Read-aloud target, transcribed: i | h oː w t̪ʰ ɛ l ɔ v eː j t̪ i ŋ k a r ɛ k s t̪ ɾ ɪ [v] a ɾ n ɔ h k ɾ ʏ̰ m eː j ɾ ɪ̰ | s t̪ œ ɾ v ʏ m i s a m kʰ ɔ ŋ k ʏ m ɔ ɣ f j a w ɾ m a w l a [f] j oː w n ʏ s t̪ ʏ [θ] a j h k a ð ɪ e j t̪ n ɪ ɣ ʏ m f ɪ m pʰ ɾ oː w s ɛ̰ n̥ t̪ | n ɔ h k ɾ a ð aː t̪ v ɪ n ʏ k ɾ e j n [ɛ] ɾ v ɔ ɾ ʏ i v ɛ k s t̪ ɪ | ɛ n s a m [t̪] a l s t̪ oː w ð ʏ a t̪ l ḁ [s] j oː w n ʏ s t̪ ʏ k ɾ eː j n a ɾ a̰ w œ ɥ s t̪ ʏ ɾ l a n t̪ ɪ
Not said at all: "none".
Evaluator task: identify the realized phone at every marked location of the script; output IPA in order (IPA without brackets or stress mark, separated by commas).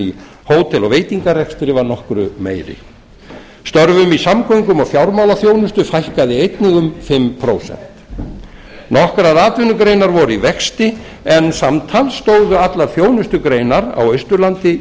v, θ, f, a, t̪ʰ, θ